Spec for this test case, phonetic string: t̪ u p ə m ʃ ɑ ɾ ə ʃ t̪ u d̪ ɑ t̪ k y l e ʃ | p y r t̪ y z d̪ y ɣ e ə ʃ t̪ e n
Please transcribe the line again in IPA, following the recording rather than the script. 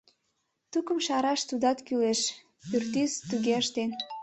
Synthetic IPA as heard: t̪ u k ə m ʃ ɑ ɾ ɑ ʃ t̪ u d̪ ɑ t̪ k y l e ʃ | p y r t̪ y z t̪ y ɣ e ə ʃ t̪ e n